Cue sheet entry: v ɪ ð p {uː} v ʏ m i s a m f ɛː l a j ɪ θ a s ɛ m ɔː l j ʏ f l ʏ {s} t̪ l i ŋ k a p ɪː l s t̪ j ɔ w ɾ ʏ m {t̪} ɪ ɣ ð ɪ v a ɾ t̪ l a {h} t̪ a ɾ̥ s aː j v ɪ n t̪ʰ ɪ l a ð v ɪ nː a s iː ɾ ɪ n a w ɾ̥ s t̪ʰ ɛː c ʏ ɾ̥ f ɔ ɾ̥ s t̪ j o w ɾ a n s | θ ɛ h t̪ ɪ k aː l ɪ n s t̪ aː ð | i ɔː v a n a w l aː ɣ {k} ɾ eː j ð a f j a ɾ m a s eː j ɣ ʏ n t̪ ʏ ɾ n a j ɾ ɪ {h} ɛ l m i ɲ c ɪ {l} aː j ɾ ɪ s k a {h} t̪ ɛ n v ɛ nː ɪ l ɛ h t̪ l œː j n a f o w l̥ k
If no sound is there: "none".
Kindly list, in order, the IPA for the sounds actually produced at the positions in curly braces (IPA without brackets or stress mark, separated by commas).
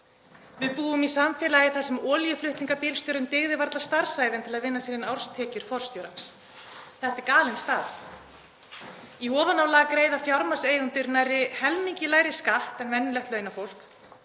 uː, h, t̪, s, k, h, l, h